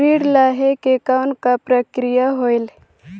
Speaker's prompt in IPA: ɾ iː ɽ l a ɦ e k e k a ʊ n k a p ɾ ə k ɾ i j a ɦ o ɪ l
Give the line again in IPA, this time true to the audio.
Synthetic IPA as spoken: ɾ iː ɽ l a ɦ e k e k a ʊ n k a p ɾ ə k ɾ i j a ɦ o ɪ l